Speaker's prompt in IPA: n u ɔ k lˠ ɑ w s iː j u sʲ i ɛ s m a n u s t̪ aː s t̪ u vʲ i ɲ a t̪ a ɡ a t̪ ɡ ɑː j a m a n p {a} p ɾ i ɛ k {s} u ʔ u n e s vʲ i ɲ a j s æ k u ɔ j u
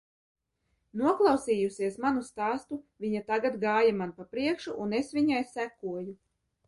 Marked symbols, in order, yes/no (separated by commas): yes, no